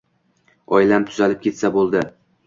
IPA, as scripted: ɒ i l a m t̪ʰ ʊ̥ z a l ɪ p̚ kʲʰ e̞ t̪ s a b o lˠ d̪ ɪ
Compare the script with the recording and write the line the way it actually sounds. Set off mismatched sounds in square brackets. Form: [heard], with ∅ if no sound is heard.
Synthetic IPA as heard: ɒ [j] l a m t̪ʰ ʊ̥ z a l ɪ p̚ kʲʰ e̞ t̪ s a b o lˠ d̪ ɪ